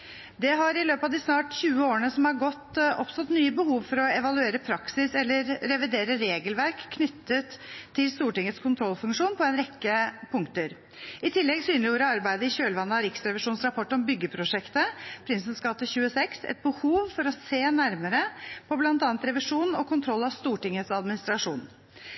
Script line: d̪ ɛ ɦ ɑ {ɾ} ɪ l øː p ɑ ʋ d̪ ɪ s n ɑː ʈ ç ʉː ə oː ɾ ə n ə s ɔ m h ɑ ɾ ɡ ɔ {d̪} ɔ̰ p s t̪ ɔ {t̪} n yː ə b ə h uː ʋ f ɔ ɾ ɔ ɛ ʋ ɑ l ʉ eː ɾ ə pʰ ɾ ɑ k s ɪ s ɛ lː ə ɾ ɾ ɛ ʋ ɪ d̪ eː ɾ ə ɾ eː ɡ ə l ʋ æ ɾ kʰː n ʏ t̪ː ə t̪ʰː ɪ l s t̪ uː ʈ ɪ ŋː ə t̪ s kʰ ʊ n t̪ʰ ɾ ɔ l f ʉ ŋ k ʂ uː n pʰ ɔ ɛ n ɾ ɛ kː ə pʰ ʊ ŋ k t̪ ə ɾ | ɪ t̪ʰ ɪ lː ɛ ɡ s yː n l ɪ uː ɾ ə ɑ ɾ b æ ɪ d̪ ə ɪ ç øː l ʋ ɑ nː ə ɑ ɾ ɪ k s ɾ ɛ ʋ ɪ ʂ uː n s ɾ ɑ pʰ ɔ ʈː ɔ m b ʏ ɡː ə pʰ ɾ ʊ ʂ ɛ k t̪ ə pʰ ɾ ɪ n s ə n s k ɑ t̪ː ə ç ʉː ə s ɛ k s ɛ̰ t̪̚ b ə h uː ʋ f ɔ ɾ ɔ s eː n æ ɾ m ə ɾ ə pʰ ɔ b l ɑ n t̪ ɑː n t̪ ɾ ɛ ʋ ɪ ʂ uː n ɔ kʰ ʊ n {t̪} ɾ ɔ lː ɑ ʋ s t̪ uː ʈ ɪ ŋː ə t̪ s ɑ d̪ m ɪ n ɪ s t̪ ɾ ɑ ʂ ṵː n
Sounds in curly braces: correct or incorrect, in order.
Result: correct, incorrect, correct, incorrect

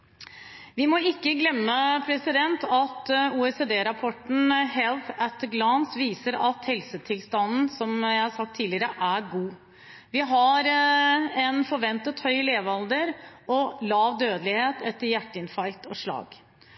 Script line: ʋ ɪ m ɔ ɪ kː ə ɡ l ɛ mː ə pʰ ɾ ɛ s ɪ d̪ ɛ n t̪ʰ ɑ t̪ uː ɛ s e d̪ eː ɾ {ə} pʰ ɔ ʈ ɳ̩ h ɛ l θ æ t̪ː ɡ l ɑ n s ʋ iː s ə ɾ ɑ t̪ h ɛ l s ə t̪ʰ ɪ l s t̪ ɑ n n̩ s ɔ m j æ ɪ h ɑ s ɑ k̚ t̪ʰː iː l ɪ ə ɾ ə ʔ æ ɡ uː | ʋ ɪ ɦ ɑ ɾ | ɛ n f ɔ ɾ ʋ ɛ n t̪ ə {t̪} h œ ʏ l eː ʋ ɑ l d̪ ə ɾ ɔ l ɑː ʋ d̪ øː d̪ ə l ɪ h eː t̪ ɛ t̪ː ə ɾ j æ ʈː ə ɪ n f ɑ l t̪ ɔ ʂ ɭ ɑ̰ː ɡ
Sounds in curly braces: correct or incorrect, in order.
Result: incorrect, correct

